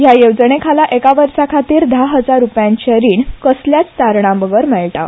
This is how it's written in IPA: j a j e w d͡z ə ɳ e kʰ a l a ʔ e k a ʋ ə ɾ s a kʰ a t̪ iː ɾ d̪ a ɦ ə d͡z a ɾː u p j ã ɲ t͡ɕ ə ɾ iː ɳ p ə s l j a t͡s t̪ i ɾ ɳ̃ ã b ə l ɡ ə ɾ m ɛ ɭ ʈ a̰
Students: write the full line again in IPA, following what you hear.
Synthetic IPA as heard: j a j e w d͡z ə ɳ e kʰ a l a ʔ e k a ʋ ə ɾ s a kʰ a t̪ iː ɾ d̪ a ɦ ə d͡z a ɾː u p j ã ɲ t͡ɕ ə ɾ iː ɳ k ə s l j a t͡s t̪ a ɾ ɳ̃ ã b ə ɡ ə ɾ m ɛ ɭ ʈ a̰